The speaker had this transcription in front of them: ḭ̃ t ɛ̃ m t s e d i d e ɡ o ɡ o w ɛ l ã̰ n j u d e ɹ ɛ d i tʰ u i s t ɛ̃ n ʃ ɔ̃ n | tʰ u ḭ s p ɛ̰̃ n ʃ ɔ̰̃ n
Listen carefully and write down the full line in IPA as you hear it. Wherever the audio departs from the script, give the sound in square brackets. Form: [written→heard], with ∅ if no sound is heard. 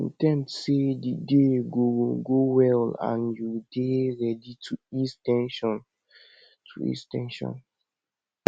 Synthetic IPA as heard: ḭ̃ t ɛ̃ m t s e d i d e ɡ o ɡ o w ɛ l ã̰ n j u d e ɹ ɛ d i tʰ u i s t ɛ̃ n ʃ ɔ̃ n | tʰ u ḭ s [p→t] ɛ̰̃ n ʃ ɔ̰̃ n